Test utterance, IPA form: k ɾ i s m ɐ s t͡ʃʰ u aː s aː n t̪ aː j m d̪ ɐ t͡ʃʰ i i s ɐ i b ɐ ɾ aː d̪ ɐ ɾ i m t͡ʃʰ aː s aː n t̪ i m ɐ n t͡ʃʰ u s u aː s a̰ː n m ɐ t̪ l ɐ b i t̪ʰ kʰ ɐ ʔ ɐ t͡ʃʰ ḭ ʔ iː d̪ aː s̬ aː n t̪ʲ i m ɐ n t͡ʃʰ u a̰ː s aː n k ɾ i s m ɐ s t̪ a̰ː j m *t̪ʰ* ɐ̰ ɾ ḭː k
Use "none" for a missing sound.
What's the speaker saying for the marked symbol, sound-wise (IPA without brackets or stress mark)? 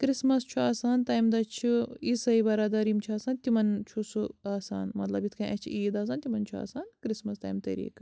t̪